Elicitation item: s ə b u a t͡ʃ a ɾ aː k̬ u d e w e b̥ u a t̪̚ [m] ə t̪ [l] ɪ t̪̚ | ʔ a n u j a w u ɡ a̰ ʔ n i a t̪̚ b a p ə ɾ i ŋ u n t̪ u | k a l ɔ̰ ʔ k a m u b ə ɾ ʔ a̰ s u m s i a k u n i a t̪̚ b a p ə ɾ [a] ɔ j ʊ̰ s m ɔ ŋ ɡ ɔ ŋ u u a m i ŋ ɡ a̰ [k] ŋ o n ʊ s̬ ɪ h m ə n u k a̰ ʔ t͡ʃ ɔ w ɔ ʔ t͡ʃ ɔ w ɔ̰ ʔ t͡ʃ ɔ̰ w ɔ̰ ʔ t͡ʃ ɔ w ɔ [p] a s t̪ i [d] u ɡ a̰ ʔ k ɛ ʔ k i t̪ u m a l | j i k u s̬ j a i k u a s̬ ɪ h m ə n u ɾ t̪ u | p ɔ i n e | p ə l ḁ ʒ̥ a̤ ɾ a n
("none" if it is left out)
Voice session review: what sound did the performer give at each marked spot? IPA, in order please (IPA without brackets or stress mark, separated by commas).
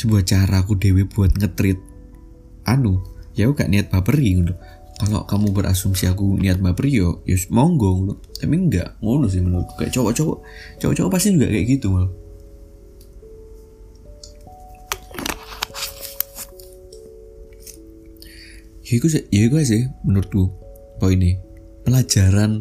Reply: ŋ, ɾ, i, ʔ, p, d͡ʒ